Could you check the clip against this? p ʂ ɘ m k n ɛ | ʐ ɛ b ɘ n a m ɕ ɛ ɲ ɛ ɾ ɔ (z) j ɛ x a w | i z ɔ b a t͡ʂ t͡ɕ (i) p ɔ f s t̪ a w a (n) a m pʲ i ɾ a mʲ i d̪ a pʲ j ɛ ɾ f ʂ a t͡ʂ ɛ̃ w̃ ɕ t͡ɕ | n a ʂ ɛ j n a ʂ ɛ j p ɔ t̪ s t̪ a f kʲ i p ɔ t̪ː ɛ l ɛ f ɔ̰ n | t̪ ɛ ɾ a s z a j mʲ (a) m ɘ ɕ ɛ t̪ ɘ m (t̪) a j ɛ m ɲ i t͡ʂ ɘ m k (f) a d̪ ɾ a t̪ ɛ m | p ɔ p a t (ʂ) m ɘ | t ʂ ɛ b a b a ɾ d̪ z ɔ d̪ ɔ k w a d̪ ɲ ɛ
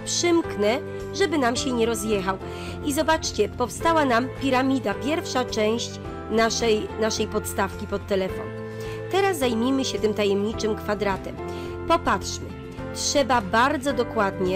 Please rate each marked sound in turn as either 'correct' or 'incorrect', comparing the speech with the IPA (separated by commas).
correct, incorrect, correct, incorrect, correct, correct, correct